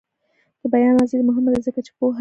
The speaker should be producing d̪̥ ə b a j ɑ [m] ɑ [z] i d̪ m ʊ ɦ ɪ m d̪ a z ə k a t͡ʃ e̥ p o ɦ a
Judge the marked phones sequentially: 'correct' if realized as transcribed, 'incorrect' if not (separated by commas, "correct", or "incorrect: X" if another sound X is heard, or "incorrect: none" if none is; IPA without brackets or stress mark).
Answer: incorrect: n, correct